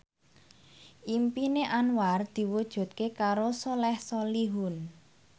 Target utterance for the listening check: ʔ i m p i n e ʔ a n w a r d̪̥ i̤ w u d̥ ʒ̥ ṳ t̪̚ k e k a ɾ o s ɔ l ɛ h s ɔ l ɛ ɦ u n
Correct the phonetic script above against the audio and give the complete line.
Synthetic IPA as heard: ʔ i m p i n e ʔ a n w a r d̪̥ i̤ w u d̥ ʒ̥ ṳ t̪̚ k e k a ɾ o s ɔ l ɛ h s ɔ l i ɦ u n